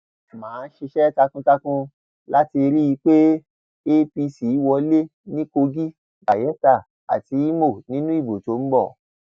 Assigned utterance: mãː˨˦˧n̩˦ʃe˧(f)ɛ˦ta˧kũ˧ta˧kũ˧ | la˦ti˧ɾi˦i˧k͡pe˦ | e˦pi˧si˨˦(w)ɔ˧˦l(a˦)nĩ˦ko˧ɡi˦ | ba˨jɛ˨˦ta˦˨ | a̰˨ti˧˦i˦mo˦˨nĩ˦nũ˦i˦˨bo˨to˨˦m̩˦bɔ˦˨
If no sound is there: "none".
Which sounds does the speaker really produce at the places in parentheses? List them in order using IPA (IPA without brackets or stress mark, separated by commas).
ʃ, w, e˦